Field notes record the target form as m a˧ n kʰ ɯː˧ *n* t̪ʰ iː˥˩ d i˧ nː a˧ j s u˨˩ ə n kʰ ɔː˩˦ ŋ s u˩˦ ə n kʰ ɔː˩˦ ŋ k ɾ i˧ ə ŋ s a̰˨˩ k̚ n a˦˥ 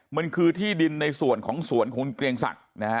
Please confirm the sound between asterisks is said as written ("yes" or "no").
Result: no